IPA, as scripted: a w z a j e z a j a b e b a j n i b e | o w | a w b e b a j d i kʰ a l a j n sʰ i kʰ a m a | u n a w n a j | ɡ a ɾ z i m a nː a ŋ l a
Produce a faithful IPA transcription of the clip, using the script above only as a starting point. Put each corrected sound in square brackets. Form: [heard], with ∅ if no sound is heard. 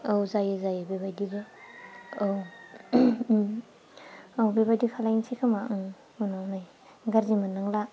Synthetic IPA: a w z a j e z a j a b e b a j [d] i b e | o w | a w b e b a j d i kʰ a l a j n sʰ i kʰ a m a | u n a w n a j | ɡ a ɾ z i m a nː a ŋ l a